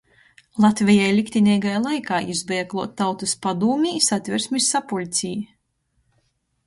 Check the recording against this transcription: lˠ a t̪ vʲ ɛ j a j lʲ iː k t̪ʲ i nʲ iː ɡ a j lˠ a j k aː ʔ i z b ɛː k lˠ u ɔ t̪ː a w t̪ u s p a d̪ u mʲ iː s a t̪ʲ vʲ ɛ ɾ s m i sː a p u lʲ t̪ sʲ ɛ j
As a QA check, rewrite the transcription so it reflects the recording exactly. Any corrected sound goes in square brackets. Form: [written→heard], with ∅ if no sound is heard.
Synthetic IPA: lˠ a t̪ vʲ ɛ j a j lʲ [iː→i] k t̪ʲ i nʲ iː ɡ a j lˠ a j k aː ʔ i z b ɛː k lˠ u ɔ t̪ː a w t̪ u s p a d̪ [u→uː] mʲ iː s a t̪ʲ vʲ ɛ ɾ s m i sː a p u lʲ t̪ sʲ [ɛ→i] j

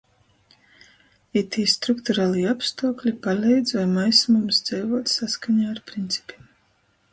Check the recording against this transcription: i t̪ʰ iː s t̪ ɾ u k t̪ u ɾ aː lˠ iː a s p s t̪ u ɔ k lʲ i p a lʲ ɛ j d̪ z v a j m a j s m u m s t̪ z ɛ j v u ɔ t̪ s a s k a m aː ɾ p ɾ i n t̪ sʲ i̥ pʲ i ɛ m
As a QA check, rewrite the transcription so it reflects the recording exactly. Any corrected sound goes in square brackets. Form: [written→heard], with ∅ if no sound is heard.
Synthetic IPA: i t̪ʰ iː s t̪ ɾ u k t̪ u ɾ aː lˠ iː a [s→∅] p s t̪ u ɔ k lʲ i p a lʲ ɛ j d̪ z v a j m a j s m u m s [t̪→d̪] z ɛ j v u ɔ t̪ s a s k a [m→ɲ] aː ɾ p ɾ i n t̪ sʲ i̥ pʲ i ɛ m

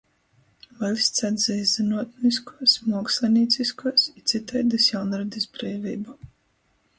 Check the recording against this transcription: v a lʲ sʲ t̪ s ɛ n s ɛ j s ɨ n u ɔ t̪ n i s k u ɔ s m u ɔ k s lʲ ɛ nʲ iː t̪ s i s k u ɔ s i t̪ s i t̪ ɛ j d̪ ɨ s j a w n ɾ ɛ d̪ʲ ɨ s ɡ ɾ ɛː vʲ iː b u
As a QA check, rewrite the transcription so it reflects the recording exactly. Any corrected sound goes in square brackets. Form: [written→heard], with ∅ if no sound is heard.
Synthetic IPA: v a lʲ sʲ t̪ s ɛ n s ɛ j [s→z] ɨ n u ɔ t̪ n i s k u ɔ s m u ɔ k s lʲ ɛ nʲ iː t̪ s i s k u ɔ s i t̪ s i t̪ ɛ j d̪ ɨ s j a w n ɾ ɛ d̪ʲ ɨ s [ɡ→b] ɾ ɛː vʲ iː b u

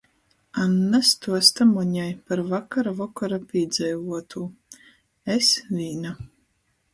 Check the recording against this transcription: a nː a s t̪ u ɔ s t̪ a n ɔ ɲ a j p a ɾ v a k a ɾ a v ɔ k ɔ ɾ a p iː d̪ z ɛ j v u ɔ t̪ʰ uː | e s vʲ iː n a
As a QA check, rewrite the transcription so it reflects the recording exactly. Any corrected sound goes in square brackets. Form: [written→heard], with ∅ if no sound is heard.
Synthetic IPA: a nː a s t̪ u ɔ s t̪ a [n→m] ɔ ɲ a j p a ɾ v a k a ɾ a v ɔ k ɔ ɾ a p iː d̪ z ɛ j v u ɔ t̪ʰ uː | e s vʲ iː n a

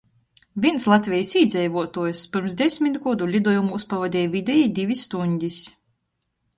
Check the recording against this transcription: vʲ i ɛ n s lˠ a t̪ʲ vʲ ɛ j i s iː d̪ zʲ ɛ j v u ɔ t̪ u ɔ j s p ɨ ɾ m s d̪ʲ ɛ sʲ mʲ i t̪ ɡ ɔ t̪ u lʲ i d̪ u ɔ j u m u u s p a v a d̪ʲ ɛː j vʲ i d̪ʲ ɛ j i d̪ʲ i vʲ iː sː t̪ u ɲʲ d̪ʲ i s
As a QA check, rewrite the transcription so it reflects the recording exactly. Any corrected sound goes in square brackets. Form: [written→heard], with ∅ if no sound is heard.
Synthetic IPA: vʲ i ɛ n s lˠ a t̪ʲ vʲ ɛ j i s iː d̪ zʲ ɛ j v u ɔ t̪ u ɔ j s p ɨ ɾ m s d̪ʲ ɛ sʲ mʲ i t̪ ɡ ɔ [t̪→d̪] u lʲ i d̪ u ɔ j u m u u s p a v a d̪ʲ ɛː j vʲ i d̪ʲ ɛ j i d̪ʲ i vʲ [iː→i] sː t̪ u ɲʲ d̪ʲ i s

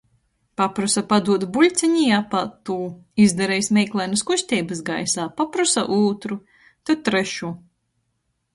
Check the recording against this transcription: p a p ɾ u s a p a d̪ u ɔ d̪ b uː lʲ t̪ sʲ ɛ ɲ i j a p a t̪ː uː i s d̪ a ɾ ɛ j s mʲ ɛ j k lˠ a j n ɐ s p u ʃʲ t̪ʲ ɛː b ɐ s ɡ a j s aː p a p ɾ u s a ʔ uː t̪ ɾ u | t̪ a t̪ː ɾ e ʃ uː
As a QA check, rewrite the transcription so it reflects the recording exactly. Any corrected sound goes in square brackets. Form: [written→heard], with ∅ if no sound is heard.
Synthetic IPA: p a p ɾ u s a p a d̪ u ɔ d̪ b [uː→u] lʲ t̪ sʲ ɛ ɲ i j a p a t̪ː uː i [s→z] d̪ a ɾ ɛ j s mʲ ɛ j k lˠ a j n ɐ s [p→k] u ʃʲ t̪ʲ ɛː b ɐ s ɡ a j s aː p a p ɾ u s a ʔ uː t̪ ɾ u | t̪ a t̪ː ɾ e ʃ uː

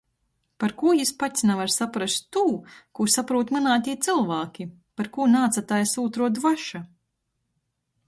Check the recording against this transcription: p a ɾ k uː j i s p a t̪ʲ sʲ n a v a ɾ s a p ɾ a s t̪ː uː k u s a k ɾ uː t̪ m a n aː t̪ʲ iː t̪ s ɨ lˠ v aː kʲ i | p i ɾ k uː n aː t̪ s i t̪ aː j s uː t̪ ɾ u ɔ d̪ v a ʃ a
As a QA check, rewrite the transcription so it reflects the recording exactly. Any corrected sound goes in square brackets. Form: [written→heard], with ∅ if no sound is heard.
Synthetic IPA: p a ɾ k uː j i s p a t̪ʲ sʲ n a v a ɾ s a p ɾ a s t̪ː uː k u s a [k→p] ɾ uː t̪ m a n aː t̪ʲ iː t̪ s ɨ lˠ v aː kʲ i | p [i→a] ɾ k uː n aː t̪ s [i→a] t̪ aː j s uː t̪ ɾ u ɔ d̪ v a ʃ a

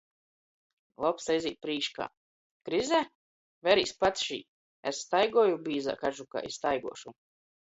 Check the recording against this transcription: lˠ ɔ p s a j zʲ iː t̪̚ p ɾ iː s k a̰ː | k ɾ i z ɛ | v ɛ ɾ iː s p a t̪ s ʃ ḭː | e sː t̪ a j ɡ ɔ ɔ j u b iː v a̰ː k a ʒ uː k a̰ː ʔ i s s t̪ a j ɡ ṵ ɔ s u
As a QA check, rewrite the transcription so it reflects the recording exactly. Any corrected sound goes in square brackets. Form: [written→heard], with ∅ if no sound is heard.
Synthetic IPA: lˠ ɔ p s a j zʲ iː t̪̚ p ɾ iː [s→ʃ] k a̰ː | k ɾ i z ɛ | v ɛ ɾ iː s p a t̪ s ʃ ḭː | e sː t̪ a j ɡ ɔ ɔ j u b iː [v→z] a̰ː k a ʒ [uː→u] k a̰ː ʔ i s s t̪ a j ɡ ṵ ɔ [s→ʃ] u

